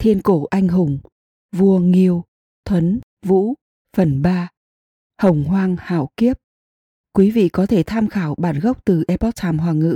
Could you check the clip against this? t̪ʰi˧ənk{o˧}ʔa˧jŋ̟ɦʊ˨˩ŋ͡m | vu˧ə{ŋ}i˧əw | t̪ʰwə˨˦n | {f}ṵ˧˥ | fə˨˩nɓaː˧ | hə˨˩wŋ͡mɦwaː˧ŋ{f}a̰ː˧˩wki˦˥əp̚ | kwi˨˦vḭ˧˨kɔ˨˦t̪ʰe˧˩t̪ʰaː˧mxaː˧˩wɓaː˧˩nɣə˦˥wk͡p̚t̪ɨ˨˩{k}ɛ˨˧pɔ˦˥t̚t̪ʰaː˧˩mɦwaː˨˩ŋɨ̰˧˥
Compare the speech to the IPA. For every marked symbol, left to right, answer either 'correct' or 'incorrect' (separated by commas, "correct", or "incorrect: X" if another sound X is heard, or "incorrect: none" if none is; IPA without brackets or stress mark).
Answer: incorrect: o˧˩, correct, incorrect: v, incorrect: h, incorrect: ʔ